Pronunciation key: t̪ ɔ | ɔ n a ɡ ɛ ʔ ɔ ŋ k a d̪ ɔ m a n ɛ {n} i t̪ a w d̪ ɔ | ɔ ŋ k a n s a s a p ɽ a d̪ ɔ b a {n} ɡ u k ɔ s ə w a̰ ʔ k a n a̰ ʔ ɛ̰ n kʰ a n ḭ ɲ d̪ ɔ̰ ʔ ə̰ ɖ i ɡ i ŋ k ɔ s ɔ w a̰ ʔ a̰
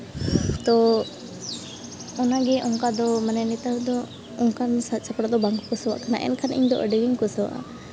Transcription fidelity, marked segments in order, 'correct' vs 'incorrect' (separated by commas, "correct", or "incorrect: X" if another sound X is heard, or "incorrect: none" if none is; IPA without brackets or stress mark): correct, incorrect: ŋ